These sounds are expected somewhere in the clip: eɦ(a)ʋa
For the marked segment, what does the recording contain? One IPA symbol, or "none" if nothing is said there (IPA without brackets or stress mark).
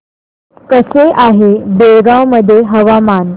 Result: ə